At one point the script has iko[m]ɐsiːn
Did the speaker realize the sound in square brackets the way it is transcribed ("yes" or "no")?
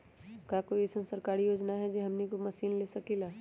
yes